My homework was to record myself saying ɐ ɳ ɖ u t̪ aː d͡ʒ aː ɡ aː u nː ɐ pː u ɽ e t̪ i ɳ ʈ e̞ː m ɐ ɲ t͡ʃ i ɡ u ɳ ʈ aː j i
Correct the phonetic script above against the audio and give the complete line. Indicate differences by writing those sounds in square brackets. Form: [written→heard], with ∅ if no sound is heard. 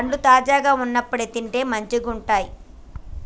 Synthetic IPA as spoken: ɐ ɳ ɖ u t̪ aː d͡ʒ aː ɡ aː u nː ɐ pː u ɽ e t̪ i ɳ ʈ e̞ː m ɐ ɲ t͡ʃ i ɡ u ɳ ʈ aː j i